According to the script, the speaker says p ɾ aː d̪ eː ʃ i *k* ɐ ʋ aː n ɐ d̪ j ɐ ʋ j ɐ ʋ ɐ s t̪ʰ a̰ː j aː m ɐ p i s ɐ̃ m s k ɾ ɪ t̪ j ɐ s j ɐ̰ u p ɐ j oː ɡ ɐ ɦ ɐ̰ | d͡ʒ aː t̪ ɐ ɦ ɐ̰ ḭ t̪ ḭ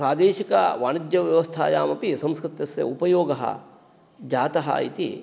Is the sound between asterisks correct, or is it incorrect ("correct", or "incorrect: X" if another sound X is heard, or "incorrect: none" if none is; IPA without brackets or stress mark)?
correct